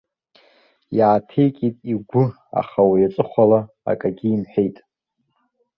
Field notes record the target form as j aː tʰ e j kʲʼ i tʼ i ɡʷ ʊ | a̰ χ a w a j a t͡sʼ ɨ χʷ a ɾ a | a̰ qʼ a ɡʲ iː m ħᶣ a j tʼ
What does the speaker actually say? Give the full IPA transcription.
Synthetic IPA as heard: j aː tʰ e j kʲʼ i tʼ i ɡʷ ʊ | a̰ χ a w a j a t͡sʼ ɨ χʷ a l a | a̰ kʼ a ɡʲ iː m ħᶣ e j tʼ